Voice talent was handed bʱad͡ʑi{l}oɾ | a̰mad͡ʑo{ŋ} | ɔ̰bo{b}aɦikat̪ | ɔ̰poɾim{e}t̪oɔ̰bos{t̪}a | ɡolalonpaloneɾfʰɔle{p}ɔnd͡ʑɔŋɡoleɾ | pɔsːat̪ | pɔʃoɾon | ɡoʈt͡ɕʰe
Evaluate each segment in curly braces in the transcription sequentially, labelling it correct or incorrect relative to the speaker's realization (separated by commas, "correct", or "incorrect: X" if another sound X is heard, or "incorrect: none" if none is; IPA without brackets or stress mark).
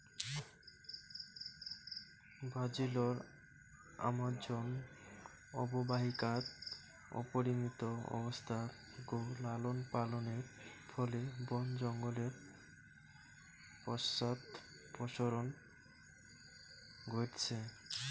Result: correct, incorrect: n, correct, incorrect: i, incorrect: t̪ʰ, incorrect: b